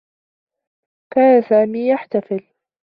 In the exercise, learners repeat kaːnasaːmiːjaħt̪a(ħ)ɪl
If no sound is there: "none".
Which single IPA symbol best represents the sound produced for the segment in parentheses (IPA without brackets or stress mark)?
f